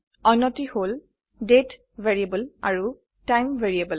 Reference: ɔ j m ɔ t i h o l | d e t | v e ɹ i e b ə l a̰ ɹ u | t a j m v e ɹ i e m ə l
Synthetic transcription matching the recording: ɔ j n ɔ t i h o l | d e t | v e ɹ i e b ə l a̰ ɹ u | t a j m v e ɹ i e b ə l